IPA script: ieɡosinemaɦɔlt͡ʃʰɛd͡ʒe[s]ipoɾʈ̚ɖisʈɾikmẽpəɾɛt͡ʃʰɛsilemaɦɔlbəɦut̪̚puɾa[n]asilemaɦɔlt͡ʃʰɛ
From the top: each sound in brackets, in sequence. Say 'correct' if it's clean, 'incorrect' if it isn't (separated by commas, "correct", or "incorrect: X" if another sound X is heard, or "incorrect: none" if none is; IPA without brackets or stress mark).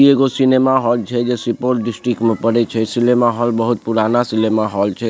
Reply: correct, correct